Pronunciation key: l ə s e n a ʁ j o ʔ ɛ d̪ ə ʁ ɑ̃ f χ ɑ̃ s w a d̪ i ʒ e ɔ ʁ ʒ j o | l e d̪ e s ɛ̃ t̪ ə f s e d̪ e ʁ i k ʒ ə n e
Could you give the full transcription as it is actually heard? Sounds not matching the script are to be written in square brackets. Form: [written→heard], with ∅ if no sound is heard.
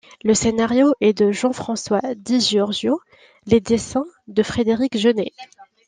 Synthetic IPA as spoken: l ə s e n a ʁ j o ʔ ɛ d̪ ə [ʁ→ʒ] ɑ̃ f χ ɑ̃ s w a d̪ i ʒ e ɔ ʁ ʒ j o | l e d̪ e s ɛ̃ [t̪→d̪] ə f [s→χ] e d̪ e ʁ i k ʒ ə n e